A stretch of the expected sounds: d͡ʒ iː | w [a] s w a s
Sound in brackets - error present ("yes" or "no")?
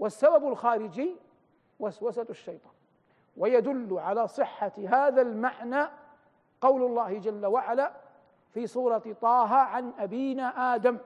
no